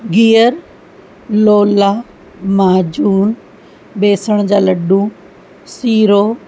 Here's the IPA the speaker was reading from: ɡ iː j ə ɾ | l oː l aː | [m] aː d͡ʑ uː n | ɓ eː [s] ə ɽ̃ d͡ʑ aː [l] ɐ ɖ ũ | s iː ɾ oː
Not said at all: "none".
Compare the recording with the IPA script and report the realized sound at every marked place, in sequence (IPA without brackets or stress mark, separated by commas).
m, s, l